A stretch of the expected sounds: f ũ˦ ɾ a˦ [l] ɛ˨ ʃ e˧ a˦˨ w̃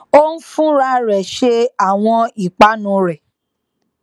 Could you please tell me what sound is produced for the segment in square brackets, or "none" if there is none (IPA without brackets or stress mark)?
ɾ